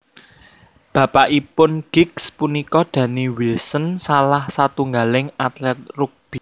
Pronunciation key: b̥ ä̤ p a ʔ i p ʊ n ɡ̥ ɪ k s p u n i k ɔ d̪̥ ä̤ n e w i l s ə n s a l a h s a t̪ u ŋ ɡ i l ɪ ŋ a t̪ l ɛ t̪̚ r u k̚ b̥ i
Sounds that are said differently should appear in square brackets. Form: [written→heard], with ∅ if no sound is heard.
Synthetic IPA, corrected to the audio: b̥ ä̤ p a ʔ i p ʊ n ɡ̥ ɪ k s p u n i k ɔ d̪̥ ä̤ n [e→i] w i l s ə n s a l a h s a t̪ u ŋ ɡ [i→a] l ɪ ŋ a t̪ l ɛ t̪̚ r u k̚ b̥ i